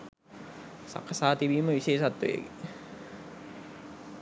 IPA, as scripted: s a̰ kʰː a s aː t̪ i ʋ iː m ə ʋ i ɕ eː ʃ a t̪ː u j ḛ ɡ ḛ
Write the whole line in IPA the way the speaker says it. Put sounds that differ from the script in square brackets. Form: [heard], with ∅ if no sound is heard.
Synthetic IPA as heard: s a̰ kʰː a s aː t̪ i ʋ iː m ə ʋ i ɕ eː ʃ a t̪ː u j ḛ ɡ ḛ